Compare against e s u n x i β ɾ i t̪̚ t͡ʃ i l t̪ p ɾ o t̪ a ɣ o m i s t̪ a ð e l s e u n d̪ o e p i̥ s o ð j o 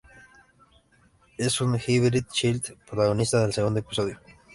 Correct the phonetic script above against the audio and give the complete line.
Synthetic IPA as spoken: e s u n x i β ɾ i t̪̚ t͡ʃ i l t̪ p ɾ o t̪ a ɣ o n i s t̪ a ð e l s e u n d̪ o e p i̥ s o ð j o